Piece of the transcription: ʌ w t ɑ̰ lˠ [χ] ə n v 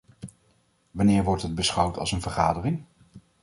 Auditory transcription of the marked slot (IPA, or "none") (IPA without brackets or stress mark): s